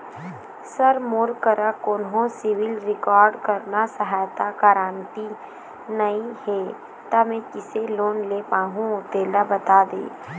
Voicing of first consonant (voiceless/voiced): voiceless